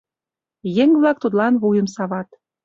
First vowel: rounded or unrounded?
unrounded